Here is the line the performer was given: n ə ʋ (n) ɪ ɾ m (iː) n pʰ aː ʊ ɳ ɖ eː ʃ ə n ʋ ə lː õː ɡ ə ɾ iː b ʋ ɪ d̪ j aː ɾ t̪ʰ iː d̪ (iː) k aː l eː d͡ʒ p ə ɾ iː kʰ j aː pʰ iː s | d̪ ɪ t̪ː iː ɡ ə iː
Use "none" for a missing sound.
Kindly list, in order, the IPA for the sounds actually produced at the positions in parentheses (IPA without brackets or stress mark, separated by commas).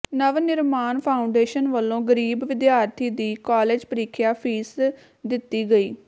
n, aː, iː